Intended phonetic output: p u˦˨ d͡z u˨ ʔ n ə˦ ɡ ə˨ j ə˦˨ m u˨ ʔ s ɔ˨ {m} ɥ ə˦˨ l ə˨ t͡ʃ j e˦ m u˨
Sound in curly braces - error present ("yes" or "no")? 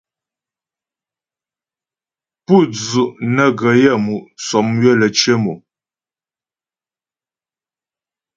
no